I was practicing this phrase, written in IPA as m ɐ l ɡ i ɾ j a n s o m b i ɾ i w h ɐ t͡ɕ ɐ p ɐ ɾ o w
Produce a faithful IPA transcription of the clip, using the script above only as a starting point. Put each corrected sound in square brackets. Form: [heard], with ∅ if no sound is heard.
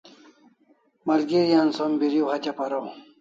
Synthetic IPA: m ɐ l ɡ i ɾ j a n s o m b i ɾ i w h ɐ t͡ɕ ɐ p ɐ ɾ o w